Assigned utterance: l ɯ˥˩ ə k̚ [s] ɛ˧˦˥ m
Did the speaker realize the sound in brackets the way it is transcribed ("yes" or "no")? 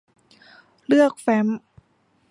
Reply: no